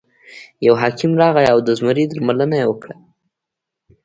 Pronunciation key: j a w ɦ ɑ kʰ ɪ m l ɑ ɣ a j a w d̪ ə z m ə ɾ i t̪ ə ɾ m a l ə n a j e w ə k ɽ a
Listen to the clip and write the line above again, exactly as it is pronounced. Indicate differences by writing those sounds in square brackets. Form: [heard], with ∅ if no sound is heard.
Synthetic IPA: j a w ɦ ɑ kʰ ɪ m [ɾ] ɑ ɣ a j a w d̪ ə z m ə ɾ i [d̪] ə ɾ m a l ə n a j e w ə k ɽ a